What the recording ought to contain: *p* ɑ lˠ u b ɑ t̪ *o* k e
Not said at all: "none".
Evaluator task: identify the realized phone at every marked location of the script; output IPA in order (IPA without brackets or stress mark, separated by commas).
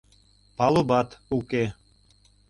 p, u